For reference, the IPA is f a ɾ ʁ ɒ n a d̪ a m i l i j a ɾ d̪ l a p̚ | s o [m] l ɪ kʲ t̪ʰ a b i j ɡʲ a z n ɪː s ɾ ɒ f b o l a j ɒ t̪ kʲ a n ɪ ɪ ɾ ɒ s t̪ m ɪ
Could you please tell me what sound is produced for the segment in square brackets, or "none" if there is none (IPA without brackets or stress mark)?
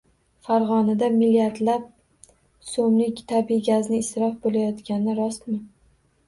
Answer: m